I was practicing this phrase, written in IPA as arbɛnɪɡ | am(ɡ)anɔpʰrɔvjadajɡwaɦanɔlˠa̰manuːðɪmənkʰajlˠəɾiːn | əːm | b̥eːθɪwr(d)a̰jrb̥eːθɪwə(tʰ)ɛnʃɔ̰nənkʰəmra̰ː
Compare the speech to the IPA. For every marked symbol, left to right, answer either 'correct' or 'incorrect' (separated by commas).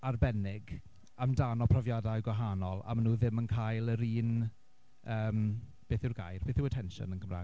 incorrect, incorrect, correct